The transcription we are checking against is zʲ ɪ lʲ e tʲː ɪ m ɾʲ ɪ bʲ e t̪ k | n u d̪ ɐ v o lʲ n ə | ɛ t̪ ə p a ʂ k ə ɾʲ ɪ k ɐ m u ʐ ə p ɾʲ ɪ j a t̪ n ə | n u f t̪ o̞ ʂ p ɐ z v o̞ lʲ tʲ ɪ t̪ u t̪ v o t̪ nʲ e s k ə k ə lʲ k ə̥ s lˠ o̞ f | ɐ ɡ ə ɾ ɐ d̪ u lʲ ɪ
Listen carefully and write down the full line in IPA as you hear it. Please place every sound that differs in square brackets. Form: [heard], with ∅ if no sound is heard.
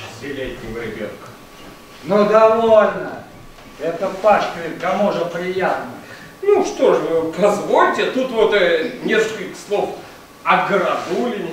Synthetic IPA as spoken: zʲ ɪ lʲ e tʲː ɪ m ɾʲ ɪ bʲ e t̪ k | n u d̪ ɐ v o lʲ n ə | ɛ t̪ ə p a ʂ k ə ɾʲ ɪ k ɐ m u ʐ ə p ɾʲ ɪ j a t̪ n ə | n u [ʂ] t̪ o̞ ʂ p ɐ z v o̞ lʲ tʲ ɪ t̪ u t̪ v o t̪ nʲ e s k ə k ə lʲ k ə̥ s lˠ o̞ f | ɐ ɡ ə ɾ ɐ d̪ u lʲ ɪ